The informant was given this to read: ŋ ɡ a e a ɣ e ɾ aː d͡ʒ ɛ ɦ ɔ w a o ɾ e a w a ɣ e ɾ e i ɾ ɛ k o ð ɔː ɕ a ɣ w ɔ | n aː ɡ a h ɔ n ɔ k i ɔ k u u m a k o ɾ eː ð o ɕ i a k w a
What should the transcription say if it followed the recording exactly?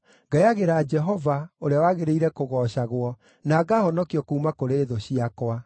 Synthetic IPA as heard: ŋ ɡ a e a ɣ e ɾ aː d͡ʒ ɛ ɦ ɔ v a o ɾ e a w a ɣ e ɾ e i ɾ ɛ k o ɣ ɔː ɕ a ɣ w ɔ | n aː ɡ a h ɔ n ɔ k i ɔ k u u m a k o ɾ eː ð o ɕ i a k w a